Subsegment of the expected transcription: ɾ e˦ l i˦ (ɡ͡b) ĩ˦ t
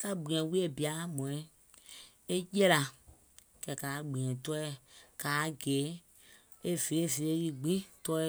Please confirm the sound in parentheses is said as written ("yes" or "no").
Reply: yes